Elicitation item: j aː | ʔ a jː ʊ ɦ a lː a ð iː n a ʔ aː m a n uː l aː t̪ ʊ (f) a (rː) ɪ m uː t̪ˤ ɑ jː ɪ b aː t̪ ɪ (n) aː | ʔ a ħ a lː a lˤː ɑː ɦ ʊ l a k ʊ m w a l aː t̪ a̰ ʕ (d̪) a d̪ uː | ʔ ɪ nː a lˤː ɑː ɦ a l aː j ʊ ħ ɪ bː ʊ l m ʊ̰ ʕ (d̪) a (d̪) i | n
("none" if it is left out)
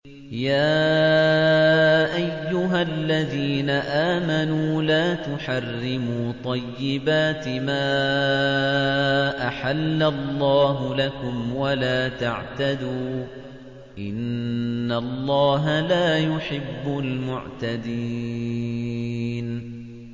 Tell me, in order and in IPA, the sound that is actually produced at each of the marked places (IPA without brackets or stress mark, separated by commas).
ħ, rː, m, t̪, t̪, d̪